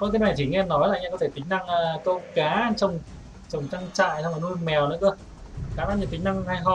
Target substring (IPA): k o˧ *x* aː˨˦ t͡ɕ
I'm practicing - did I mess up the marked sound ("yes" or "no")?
yes